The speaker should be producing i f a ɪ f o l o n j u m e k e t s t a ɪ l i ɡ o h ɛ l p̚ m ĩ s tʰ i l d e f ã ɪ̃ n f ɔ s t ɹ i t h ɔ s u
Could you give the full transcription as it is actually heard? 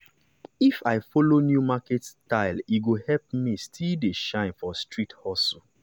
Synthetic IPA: i f a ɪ f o l o n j u m a k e t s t a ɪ l i ɡ o h ɛ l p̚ m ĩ s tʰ i l d e ʃ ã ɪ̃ n f ɔ s t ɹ i t h ɔ s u